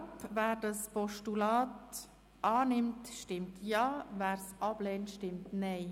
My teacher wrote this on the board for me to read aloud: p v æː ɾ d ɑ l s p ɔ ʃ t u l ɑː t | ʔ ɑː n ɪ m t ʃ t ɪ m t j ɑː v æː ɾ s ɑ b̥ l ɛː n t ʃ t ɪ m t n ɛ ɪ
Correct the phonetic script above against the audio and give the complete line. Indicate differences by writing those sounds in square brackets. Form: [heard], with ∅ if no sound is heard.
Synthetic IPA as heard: p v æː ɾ d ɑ [∅] s p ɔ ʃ t u l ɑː t | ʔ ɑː n ɪ m t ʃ t ɪ m t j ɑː v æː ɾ s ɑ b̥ l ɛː n t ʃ t ɪ m t n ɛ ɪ